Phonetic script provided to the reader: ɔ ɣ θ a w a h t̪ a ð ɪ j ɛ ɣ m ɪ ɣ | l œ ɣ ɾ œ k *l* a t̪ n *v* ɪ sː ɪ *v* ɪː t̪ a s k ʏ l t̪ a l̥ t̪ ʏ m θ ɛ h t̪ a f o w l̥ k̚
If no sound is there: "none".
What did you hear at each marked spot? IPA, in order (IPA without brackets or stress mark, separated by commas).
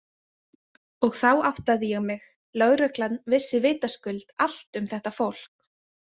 l, v, v